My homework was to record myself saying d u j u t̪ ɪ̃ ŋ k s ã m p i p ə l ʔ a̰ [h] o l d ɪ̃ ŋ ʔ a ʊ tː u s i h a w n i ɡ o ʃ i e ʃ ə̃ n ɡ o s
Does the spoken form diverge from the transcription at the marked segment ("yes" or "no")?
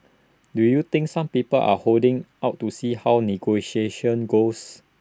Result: no